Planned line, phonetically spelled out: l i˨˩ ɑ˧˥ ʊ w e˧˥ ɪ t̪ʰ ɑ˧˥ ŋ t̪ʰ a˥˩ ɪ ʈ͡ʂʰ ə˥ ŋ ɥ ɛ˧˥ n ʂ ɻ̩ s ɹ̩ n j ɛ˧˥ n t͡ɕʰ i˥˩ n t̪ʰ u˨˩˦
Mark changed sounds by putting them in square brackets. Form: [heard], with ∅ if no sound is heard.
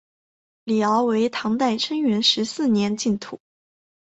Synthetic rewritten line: l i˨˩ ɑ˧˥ ʊ w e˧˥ ɪ t̪ʰ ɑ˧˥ ŋ [t̪] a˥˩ ɪ ʈ͡ʂʰ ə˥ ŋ ɥ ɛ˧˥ n ʂ ɻ̩ s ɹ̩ n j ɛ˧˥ n [t͡ɕ] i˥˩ n t̪ʰ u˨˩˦